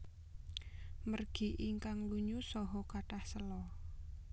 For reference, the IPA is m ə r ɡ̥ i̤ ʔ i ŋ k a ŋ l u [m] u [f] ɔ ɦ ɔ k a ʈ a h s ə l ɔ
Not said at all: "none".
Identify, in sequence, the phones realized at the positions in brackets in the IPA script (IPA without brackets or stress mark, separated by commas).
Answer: ɲ, s